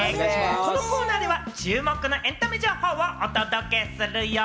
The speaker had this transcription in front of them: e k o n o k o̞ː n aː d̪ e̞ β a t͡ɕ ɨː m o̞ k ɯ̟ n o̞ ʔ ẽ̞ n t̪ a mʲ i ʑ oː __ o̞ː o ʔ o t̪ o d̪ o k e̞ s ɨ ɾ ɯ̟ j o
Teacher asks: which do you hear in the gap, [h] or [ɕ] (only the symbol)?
h